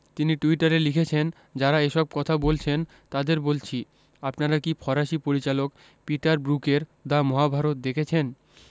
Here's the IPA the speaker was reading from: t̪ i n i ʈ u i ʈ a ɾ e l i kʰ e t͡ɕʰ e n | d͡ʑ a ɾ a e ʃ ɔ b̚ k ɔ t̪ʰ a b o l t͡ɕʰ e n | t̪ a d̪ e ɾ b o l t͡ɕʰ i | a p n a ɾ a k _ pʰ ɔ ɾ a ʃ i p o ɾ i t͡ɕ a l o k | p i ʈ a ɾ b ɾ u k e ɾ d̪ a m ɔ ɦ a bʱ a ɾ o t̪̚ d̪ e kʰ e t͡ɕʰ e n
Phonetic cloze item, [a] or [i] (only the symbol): i